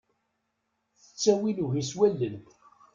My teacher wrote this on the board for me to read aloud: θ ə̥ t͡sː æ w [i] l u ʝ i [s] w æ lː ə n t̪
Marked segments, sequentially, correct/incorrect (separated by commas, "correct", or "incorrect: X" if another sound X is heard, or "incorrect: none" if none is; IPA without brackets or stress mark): correct, correct